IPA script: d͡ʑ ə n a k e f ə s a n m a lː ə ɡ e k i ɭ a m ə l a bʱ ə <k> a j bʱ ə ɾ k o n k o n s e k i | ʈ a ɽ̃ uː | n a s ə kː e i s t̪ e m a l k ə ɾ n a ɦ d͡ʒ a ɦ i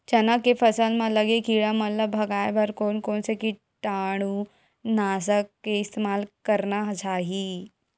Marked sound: incorrect: ɡ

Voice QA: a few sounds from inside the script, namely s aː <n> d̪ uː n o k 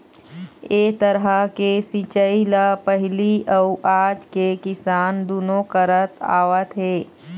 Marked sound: correct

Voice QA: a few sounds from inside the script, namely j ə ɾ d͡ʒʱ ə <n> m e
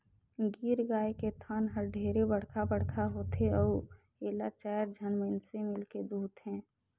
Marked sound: correct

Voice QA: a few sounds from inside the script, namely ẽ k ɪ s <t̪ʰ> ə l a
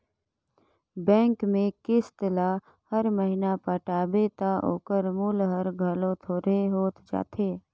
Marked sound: incorrect: t̪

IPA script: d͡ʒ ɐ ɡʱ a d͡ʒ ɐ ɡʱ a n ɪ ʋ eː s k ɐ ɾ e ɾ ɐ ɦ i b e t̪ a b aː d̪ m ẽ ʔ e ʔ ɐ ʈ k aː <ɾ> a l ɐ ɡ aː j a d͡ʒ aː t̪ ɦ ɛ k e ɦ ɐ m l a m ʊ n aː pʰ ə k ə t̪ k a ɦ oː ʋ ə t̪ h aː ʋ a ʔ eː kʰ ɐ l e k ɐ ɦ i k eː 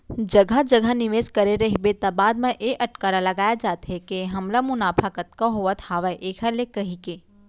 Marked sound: correct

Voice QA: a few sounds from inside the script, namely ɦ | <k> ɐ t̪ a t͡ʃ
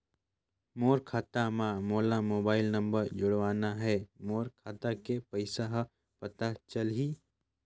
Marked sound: incorrect: p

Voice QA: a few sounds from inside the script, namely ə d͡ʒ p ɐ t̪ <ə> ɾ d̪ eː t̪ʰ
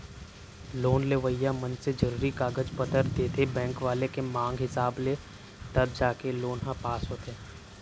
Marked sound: correct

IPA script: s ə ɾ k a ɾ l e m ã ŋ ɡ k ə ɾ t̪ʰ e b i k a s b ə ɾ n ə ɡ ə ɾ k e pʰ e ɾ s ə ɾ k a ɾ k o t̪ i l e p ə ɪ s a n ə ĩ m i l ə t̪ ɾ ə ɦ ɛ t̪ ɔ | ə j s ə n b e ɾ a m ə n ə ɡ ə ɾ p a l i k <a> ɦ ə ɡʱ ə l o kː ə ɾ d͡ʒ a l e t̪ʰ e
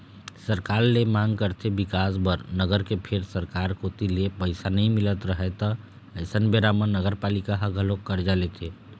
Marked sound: correct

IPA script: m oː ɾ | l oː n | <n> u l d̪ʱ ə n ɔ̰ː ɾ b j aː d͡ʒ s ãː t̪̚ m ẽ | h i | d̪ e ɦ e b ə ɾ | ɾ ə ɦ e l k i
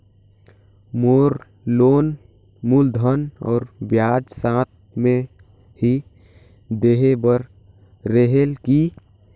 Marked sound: incorrect: m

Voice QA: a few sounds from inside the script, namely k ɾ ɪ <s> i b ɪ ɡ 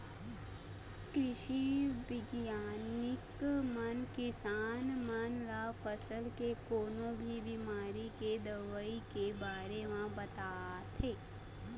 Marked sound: incorrect: ʃ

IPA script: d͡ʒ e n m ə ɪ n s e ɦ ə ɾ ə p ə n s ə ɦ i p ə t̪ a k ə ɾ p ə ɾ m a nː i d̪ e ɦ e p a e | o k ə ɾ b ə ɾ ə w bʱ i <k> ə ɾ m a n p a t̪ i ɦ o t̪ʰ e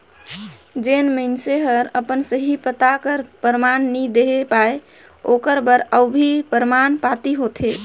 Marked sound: incorrect: p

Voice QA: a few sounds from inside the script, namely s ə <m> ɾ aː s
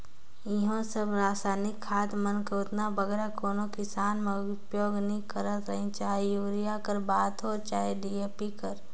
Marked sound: incorrect: b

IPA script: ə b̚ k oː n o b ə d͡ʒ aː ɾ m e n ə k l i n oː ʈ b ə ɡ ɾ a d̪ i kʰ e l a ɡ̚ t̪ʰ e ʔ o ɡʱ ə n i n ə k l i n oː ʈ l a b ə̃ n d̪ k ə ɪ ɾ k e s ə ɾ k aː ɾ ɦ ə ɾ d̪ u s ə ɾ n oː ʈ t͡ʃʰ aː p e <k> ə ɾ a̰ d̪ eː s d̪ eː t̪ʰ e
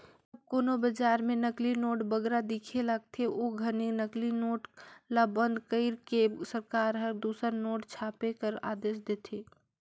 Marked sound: correct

